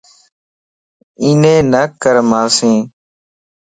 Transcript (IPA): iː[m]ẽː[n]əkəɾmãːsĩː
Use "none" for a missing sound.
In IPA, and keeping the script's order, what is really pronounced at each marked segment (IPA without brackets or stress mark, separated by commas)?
n, n